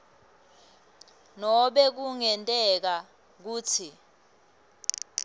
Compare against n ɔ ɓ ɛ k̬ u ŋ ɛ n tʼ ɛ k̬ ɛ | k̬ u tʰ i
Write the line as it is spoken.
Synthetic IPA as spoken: n ɔ ɓ ɛ k̬ u ŋ ɛ n tʼ ɛ k̬ a | k̬ uː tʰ i